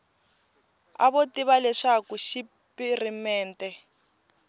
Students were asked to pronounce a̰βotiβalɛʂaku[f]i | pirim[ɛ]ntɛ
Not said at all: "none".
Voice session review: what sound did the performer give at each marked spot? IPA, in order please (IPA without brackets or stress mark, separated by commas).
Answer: ʃ, ɛː